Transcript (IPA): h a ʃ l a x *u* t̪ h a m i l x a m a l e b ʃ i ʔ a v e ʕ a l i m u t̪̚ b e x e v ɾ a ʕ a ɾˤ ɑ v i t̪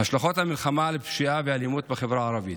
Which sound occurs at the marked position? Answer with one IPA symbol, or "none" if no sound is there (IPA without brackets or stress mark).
o